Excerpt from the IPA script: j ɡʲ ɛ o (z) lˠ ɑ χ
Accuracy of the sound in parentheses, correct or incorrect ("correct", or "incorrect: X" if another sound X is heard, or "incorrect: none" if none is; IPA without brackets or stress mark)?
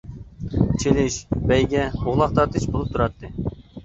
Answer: incorrect: ʁ